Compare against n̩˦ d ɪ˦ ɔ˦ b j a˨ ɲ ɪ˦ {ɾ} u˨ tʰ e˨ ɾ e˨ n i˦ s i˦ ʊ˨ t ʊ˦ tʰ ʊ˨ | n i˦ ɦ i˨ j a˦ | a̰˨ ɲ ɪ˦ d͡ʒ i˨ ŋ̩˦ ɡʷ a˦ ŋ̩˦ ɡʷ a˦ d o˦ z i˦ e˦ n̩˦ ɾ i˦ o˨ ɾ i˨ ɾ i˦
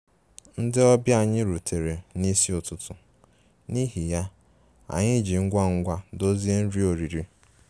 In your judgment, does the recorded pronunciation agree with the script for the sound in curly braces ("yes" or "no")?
yes